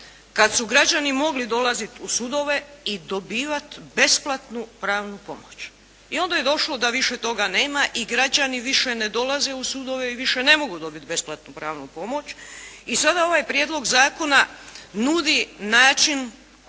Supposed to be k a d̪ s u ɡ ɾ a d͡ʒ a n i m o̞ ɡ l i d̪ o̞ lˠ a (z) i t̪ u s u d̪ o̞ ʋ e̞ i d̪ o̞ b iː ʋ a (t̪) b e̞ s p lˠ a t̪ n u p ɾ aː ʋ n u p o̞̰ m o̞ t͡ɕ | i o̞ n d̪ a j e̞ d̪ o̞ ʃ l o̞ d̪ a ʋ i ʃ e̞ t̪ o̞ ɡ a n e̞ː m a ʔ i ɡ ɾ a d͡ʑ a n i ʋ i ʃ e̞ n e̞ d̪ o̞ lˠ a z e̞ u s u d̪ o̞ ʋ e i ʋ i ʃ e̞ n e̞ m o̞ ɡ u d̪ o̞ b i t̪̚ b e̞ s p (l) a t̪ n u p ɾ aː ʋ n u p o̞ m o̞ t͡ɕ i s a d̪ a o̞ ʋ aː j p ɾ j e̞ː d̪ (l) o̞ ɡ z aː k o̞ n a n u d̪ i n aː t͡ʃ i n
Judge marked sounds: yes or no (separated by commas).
yes, yes, yes, yes